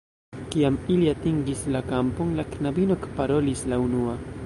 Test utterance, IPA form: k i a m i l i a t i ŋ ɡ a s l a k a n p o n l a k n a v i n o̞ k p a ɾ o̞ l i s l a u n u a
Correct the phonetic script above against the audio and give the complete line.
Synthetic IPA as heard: k i a m i l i a t i ŋ ɡ i s l a k a m p o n l a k n a b i n o̞ k p a ɾ o̞ l i s l a u n u a